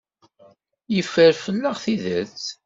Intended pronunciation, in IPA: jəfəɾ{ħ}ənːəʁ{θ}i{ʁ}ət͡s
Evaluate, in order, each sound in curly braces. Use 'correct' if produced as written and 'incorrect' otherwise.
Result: incorrect, correct, incorrect

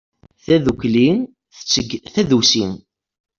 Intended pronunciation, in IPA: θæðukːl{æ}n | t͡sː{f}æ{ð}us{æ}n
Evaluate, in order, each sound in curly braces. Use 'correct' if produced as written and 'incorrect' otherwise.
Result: incorrect, incorrect, correct, incorrect

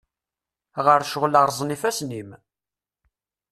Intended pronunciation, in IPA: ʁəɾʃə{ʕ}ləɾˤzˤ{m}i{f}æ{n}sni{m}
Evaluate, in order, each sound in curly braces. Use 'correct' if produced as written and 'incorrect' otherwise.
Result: incorrect, incorrect, correct, incorrect, correct

